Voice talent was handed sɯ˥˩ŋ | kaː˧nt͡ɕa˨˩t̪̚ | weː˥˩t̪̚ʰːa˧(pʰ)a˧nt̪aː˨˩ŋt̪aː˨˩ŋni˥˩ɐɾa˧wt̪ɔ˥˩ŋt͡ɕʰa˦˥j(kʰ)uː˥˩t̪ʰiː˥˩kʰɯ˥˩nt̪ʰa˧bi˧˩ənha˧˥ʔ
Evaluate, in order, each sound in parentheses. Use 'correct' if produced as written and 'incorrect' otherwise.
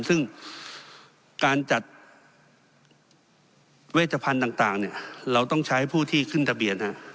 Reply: correct, incorrect

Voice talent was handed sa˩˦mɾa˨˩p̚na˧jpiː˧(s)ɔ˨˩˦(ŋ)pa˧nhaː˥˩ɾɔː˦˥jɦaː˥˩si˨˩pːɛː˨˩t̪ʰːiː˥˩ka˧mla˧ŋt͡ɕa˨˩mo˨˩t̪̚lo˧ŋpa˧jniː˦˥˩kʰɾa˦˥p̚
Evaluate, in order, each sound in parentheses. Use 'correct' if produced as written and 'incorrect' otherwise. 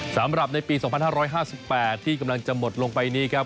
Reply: correct, correct

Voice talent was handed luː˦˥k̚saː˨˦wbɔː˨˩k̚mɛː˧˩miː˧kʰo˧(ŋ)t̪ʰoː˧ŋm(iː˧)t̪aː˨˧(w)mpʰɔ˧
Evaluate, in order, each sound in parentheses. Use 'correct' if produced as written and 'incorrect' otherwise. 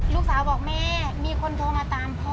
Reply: incorrect, incorrect, incorrect

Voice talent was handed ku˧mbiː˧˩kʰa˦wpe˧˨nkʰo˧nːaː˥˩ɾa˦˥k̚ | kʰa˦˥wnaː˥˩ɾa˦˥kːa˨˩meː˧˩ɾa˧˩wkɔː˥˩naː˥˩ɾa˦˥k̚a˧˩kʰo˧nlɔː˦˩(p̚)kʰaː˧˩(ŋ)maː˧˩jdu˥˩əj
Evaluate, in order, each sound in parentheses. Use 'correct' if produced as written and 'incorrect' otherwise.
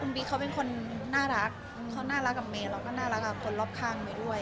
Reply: correct, correct

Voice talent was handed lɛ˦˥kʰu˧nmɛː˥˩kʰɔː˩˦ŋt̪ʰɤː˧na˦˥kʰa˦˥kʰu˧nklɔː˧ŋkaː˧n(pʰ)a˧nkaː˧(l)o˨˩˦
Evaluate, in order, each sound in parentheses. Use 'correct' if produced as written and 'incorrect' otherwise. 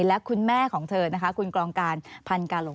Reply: correct, correct

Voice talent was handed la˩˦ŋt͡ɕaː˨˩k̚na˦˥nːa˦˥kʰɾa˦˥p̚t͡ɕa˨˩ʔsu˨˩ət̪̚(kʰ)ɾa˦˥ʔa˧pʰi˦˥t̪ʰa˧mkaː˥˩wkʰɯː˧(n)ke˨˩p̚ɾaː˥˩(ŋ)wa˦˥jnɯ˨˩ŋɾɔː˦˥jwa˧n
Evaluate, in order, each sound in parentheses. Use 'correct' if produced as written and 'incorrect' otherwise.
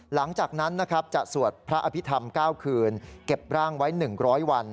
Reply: incorrect, correct, correct

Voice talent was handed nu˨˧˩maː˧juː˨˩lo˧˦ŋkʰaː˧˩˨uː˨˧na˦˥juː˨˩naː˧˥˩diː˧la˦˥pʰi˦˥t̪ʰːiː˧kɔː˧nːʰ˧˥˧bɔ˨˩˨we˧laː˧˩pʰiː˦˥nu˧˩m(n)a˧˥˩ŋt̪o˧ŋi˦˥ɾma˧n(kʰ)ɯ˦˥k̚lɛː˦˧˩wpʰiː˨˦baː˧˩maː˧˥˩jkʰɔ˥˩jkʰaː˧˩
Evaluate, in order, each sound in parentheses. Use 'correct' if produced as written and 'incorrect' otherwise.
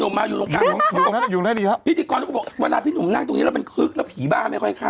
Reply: correct, correct

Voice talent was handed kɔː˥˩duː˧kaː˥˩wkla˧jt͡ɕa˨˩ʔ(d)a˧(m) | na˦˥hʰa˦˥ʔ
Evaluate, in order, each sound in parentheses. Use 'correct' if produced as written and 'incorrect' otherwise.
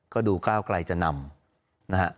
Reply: incorrect, correct

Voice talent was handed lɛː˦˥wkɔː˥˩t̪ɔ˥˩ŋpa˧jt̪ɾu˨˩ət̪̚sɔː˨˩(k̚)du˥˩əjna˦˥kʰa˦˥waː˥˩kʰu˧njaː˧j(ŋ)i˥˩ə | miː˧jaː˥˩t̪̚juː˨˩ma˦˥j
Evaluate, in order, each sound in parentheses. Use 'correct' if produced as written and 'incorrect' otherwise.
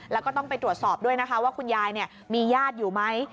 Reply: incorrect, incorrect

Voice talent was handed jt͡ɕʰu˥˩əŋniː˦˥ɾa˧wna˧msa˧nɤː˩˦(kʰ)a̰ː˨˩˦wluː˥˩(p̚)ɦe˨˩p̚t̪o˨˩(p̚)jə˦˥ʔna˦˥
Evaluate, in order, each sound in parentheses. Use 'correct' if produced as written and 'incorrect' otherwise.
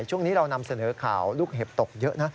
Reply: correct, incorrect, incorrect

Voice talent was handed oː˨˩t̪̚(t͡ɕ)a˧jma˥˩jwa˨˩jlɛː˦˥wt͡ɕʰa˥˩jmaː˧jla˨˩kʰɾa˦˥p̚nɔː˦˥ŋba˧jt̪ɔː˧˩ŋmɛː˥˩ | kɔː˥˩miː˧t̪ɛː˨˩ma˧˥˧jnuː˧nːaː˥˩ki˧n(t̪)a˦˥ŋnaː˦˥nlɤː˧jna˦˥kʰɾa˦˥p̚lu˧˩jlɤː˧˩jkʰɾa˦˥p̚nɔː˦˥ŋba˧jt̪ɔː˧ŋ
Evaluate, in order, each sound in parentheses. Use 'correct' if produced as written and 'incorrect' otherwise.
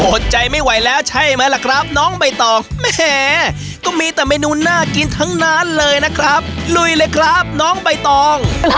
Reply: correct, incorrect

